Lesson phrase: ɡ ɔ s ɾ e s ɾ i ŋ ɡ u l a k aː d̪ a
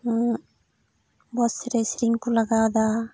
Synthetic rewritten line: b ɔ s ɾ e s ɾ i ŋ k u l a ɡ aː d̪ a